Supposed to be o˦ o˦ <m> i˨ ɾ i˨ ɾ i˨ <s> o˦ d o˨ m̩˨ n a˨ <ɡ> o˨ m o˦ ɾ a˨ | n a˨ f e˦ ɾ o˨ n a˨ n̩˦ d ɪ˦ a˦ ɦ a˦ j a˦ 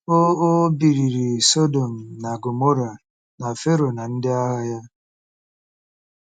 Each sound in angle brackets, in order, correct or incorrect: incorrect: b, correct, correct

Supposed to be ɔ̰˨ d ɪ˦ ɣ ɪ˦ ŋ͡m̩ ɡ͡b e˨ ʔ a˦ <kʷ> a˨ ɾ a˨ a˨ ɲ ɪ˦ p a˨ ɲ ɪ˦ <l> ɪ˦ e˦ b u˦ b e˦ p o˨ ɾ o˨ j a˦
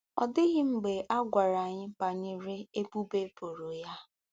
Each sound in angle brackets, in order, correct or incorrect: incorrect: ɡʷ, incorrect: ɾ

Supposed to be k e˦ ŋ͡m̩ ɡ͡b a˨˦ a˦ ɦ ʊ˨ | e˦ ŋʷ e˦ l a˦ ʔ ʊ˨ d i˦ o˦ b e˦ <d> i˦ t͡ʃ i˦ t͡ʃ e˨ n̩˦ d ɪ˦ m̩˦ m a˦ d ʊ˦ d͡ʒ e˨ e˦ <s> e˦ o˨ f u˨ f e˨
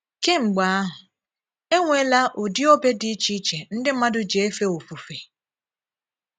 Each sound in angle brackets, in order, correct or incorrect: correct, incorrect: f

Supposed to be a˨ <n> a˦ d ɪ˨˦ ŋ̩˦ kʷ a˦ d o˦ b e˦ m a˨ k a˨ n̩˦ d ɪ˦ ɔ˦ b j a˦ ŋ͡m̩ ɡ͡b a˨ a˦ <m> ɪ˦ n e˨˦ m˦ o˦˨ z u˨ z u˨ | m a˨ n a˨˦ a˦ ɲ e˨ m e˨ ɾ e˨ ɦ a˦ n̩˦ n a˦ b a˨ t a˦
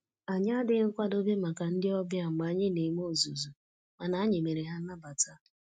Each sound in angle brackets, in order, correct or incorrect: incorrect: ɲ, incorrect: ɲ

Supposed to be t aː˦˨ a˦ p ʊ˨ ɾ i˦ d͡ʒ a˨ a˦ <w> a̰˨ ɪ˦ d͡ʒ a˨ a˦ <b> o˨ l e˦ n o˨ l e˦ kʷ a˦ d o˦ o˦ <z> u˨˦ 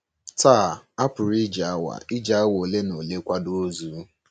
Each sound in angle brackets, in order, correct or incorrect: correct, incorrect: w, correct

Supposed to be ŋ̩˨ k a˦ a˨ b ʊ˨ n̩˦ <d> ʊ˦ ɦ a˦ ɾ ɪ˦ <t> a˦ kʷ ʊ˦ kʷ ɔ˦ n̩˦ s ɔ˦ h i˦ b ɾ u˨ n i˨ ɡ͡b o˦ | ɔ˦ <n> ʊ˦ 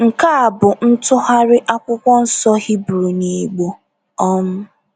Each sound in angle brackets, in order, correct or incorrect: incorrect: t, incorrect: ʔ, incorrect: m

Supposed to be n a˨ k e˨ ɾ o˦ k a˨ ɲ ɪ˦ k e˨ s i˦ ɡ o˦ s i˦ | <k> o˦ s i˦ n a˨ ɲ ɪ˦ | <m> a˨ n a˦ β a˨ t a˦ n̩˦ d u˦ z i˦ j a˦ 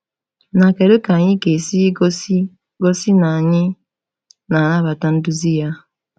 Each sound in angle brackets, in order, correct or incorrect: incorrect: ɡ, incorrect: n

